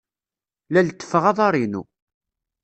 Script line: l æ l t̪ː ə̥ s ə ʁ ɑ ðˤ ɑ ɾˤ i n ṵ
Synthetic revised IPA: l æ l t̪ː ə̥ f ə ʁ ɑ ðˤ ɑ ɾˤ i n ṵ